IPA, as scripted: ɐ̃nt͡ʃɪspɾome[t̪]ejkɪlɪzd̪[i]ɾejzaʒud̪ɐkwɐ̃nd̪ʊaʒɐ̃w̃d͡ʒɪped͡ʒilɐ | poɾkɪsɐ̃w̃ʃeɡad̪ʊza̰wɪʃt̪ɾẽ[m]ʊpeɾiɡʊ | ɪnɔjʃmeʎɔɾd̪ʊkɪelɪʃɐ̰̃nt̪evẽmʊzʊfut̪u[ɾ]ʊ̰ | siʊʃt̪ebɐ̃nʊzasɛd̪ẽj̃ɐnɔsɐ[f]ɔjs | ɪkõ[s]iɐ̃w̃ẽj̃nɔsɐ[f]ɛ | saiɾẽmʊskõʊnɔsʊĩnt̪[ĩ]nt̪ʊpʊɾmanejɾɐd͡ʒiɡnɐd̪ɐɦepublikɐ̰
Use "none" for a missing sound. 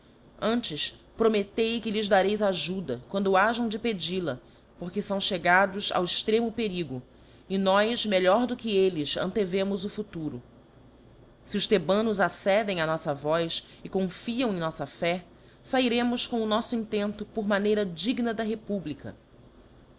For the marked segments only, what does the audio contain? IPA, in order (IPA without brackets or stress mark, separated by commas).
t̪, a, m, ɾ, v, f, f, ẽ